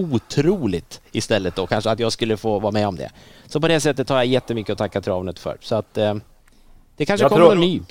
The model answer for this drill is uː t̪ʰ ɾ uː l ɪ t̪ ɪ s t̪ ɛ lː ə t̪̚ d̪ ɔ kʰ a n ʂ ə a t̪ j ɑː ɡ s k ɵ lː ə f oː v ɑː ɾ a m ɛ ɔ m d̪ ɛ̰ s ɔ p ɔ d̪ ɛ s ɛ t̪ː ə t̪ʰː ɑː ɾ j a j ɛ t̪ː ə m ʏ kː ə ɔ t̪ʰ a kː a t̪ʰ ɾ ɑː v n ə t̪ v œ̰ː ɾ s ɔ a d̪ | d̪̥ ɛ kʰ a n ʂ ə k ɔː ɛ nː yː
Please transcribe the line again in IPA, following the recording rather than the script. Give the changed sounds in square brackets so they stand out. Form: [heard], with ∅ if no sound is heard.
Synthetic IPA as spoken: uː t̪ʰ ɾ uː l ɪ t̪ ɪ s t̪ ɛ lː ə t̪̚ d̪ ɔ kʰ a n ʂ ə a t̪ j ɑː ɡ s k ɵ lː ə f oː v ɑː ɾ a m ɛ ɔ m d̪ ɛ̰ s ɔ p ɔ d̪ ɛ s ɛ t̪ː ə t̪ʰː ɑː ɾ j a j ɛ t̪ː ə m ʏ kː ə ɔ t̪ʰ a kː a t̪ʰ ɾ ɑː v n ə t̪ [f] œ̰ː ɾ s ɔ a [t̪] | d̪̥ ɛ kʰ a n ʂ ə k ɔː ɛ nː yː